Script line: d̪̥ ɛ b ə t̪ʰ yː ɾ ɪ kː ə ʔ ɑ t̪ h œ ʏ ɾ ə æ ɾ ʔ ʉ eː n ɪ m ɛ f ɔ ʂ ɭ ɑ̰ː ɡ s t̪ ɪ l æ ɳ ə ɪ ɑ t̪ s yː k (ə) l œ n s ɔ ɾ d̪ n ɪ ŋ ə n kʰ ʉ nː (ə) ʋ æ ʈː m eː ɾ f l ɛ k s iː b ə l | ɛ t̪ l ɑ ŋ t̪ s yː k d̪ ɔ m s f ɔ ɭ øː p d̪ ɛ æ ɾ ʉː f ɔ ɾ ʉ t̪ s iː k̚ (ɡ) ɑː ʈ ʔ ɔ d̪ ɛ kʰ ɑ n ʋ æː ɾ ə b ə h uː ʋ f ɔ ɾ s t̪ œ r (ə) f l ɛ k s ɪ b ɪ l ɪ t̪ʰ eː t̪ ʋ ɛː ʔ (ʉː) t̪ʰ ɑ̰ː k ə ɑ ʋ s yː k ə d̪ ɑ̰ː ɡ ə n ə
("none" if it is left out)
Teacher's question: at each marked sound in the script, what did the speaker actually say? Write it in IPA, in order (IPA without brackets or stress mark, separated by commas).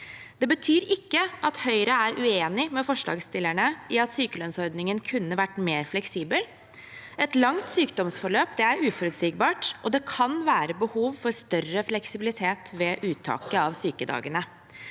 ə, ə, b, ə, ʉː